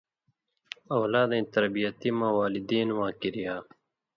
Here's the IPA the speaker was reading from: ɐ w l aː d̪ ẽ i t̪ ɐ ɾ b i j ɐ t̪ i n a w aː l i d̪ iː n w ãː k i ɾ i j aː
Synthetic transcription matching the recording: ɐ w l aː d̪ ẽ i t̪ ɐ ɾ b i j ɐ t̪ i m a w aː l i d̪ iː n w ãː k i ɾ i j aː